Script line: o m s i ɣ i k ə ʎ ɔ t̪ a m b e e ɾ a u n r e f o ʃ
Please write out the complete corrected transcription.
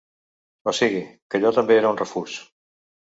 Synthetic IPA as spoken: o s i ɣ i k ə ʎ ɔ t̪ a m b e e ɾ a u n r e f u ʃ